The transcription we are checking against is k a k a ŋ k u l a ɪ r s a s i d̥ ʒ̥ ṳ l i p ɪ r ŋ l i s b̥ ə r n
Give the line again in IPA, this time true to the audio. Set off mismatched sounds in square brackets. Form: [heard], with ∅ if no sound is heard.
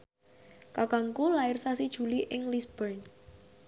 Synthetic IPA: k a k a ŋ k u l a ɪ r s a s i d̥ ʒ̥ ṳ l i [ʔ] ɪ [∅] ŋ l i s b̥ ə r n

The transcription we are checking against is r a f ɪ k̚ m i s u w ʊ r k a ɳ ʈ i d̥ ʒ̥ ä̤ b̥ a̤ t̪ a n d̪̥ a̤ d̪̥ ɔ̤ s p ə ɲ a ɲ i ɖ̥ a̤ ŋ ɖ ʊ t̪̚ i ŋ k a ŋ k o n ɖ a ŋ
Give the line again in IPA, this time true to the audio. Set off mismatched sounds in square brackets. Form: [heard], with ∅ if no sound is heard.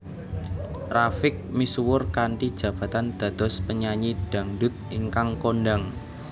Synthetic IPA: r a f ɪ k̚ m i s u w ʊ r k a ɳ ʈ i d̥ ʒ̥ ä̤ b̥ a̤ t̪ a n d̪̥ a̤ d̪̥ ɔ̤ s p ə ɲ a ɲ i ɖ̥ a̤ ŋ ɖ ʊ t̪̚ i ŋ k a ŋ k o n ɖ a ŋ

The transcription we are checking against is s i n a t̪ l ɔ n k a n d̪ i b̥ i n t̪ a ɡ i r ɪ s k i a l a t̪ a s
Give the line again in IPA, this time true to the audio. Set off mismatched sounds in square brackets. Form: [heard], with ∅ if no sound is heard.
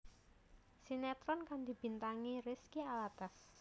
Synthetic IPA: s i n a t̪ [ɾ] ɔ n k a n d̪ i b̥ i n t̪ a [ŋ] i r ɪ s k i a l a t̪ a s

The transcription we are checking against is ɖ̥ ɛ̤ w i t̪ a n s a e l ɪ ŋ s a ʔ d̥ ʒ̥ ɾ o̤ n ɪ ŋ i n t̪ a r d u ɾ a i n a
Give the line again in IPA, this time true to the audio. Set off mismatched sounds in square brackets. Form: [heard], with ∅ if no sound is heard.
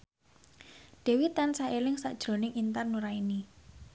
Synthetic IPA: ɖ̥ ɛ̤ w i t̪ a n s a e l ɪ ŋ s a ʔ d̥ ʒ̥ ɾ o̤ n ɪ ŋ i n t̪ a r [n] u ɾ a i n [i]

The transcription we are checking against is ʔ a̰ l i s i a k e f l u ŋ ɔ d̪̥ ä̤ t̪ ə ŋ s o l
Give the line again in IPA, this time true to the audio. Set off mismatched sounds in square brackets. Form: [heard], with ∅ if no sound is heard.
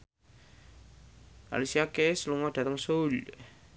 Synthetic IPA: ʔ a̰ l i s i a k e [s] l u ŋ ɔ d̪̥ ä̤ t̪ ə ŋ s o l

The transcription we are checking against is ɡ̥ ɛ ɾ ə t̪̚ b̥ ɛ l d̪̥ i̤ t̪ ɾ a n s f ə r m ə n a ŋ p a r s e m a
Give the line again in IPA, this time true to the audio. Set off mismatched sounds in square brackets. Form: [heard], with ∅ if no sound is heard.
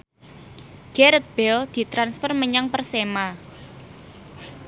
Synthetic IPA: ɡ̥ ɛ ɾ ə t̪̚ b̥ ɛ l d̪̥ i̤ t̪ ɾ a n s f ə r m ə [ɲ] a ŋ p [ə] r s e m a

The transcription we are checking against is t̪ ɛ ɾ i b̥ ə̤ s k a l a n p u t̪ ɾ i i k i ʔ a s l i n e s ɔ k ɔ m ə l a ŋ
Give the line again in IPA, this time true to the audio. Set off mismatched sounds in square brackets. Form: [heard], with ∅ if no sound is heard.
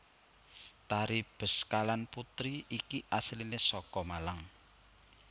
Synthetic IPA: t̪ [a] ɾ i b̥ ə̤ s k a l a n p u t̪ ɾ i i k i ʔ a s l i n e s ɔ k ɔ m [a] l a ŋ

